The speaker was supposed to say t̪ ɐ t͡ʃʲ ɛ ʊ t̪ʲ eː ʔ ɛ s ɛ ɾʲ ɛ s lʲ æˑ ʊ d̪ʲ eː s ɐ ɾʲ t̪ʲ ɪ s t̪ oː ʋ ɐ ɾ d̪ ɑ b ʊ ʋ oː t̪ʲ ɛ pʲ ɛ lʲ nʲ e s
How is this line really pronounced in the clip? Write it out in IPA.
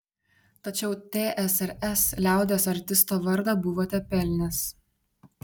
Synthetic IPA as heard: t̪ ɐ t͡ʃʲ ɛ ʊ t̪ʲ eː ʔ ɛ s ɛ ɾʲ ɛ s lʲ æˑ ʊ d̪ʲ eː s ɐ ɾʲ t̪ʲ ɪ s t̪ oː ʋ ɐ ɾ d̪ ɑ b ʊ ʋ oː t̪ʲ ɛ pʲ ɛ lʲ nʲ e s